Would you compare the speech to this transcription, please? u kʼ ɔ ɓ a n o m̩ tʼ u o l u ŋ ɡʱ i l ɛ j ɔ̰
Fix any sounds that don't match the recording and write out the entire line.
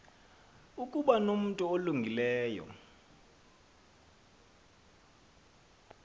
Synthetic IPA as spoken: u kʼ u ɓ a n o m̩ tʼ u o l u ŋ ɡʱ i l ɛː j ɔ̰